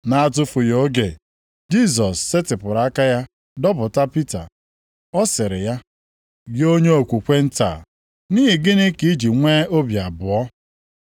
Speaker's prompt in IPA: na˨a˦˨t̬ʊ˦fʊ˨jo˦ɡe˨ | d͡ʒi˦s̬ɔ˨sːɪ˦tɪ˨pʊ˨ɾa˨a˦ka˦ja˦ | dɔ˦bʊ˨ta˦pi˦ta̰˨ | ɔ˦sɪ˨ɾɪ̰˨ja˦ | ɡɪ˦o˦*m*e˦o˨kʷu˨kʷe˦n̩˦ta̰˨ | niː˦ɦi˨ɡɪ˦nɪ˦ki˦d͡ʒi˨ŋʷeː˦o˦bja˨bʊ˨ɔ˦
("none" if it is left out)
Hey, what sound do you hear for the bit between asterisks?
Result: ɲ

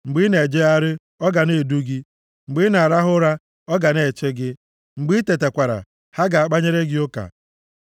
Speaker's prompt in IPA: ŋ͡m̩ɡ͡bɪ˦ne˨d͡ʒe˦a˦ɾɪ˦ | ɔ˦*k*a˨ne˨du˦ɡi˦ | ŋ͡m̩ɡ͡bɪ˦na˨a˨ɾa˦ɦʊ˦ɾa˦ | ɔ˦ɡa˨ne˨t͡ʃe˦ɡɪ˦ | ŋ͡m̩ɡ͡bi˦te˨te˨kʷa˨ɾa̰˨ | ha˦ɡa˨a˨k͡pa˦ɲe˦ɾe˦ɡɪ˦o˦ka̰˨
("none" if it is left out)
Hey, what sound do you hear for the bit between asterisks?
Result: ɡ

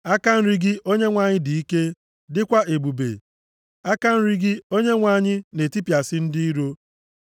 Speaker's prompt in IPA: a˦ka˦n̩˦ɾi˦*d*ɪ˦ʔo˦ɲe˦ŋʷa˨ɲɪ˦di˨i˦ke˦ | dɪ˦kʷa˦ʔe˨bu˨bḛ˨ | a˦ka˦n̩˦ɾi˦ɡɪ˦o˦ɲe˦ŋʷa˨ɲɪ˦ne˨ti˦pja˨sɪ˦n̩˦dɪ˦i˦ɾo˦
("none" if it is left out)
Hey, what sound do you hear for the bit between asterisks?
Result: ɡ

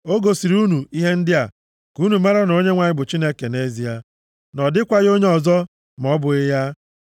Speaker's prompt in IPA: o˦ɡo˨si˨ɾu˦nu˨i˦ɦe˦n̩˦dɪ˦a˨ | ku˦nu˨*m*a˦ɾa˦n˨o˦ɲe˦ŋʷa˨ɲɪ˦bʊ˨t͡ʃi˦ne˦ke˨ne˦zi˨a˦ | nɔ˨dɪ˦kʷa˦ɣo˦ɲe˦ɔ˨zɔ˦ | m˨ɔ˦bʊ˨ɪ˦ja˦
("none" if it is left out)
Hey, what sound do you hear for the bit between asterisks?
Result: m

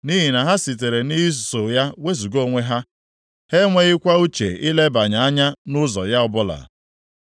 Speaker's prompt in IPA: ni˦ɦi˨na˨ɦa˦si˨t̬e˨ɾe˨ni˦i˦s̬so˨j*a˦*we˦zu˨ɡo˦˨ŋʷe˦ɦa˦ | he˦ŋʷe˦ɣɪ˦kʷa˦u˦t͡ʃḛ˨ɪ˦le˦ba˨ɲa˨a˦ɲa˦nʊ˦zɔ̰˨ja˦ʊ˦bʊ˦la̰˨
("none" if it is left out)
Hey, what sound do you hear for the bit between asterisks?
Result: a˦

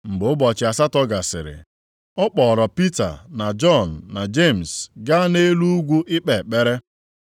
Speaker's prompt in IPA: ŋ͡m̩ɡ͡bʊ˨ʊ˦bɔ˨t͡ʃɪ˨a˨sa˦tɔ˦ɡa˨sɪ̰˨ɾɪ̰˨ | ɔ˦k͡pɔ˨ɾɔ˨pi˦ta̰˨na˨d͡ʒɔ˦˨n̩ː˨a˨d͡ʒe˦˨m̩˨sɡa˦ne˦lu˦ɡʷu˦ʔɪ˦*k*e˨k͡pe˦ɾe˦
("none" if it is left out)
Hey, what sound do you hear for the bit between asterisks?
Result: k͡p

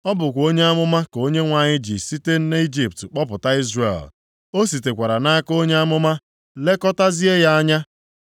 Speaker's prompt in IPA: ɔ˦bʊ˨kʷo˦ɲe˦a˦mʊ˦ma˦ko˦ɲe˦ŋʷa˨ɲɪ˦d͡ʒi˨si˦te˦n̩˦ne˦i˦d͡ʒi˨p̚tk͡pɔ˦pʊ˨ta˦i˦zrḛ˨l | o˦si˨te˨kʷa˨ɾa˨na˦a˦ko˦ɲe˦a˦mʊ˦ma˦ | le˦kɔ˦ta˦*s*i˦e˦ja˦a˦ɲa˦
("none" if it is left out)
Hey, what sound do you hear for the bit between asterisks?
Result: z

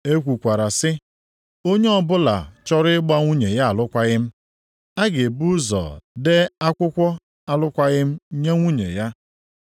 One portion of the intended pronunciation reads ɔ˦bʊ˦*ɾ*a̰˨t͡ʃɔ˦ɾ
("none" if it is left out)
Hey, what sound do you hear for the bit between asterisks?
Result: l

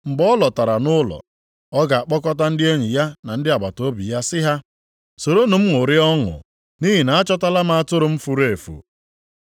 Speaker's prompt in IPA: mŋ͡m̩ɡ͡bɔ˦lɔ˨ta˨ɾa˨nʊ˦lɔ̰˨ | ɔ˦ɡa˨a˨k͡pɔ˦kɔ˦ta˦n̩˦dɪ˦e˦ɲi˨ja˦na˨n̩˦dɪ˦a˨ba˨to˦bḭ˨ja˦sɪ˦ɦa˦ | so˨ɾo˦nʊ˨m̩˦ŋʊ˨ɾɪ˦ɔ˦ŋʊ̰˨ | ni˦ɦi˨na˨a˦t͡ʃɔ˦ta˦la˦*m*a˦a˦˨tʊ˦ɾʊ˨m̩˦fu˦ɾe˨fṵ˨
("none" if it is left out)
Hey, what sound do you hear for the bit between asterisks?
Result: m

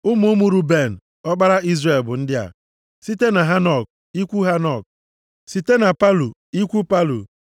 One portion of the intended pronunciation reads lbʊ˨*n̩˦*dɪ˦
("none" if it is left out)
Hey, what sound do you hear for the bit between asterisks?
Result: n̩˦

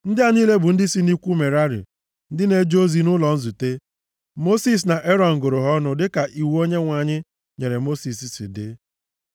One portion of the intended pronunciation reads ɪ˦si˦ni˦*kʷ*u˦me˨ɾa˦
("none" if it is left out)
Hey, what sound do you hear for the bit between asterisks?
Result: kʷ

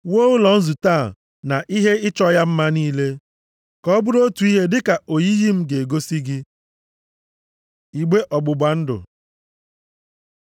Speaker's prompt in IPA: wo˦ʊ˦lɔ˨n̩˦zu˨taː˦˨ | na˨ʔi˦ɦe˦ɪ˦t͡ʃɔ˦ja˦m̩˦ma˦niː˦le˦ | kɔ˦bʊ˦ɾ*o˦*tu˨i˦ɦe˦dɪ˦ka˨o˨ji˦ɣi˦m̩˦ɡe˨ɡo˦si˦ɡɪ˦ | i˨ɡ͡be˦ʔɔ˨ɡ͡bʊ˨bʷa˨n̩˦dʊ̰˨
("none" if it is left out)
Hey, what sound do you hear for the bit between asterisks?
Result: o˦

